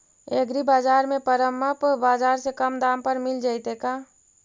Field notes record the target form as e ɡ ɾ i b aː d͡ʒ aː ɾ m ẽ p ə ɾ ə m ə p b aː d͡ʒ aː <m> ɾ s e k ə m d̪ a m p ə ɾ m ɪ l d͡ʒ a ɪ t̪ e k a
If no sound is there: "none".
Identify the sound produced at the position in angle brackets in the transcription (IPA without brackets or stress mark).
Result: none